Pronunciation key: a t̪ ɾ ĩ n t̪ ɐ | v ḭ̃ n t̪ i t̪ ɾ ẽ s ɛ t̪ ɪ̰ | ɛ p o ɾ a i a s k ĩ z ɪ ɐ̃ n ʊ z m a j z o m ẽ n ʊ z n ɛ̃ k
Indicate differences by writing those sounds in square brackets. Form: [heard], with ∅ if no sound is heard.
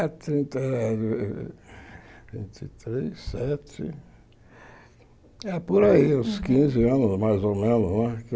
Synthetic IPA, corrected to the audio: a t̪ ɾ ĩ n t̪ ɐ | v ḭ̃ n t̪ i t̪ ɾ [e] s ɛ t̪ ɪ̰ | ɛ p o ɾ a i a s k ĩ z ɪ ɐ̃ n ʊ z m a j z o m ẽ n ʊ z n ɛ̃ k